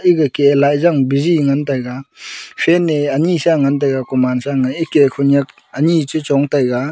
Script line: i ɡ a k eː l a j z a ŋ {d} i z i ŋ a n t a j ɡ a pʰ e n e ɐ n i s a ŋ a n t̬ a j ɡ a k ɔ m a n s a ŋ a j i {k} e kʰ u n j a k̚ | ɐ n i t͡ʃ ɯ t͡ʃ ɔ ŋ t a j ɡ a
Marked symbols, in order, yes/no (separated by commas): no, yes